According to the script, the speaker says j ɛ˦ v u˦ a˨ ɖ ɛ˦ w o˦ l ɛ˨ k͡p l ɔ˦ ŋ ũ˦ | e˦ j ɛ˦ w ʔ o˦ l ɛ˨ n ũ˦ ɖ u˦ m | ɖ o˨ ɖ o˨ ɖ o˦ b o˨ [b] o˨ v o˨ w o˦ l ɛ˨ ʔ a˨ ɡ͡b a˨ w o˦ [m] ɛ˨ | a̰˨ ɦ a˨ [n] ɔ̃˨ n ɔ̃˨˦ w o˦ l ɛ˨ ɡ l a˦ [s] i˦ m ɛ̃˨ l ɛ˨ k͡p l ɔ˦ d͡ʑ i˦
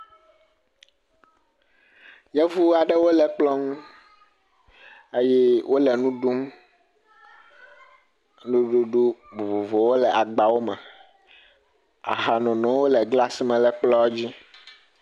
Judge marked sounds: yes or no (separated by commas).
no, yes, yes, yes